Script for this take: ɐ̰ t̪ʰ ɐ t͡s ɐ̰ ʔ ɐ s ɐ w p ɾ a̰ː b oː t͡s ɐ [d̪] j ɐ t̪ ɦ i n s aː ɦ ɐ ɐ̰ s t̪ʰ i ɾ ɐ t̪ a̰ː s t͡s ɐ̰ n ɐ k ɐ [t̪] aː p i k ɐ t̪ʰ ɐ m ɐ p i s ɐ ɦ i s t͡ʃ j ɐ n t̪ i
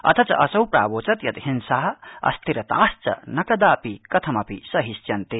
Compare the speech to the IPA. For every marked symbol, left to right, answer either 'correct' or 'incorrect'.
incorrect: t̪, incorrect: d̪

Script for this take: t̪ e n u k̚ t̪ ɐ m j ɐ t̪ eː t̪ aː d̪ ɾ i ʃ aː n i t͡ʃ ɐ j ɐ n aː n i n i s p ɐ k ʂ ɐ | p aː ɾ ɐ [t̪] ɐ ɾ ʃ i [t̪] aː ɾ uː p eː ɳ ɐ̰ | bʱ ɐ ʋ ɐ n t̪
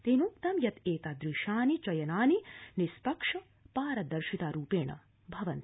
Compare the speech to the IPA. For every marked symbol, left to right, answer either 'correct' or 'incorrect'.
incorrect: d̪, correct

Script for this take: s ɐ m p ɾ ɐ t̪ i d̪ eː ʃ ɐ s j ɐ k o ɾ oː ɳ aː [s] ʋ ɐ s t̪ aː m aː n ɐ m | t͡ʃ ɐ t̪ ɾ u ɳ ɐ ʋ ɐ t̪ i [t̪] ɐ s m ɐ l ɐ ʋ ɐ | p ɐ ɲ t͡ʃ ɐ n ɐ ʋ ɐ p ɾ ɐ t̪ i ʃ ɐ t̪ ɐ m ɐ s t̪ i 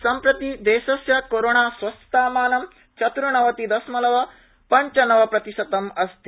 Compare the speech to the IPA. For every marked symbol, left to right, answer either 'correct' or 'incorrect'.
correct, incorrect: d̪

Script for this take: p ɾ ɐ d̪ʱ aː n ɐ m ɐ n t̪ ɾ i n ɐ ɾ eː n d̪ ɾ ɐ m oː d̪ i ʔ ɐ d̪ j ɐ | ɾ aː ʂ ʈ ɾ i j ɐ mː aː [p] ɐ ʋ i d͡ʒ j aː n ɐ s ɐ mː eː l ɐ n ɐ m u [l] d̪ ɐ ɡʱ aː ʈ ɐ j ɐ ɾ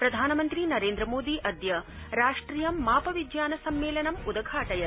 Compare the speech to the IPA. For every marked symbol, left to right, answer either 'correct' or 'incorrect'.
correct, incorrect: none

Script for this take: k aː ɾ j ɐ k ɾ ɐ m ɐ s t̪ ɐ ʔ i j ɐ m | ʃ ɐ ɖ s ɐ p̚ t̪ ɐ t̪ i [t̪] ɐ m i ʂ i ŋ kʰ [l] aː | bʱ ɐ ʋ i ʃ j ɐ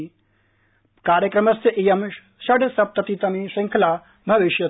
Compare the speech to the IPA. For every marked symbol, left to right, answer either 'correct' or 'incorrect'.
correct, correct

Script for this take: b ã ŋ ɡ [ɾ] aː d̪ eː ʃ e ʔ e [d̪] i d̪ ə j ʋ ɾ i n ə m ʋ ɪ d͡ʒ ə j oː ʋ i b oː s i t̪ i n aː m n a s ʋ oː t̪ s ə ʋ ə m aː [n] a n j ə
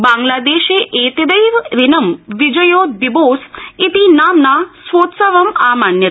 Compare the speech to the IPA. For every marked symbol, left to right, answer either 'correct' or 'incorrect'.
incorrect: l, incorrect: t̪, incorrect: m

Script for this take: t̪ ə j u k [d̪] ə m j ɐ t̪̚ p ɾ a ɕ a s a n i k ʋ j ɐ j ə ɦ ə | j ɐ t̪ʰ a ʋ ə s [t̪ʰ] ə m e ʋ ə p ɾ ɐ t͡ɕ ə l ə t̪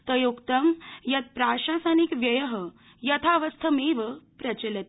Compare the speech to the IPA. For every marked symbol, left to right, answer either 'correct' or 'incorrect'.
incorrect: t̪, correct

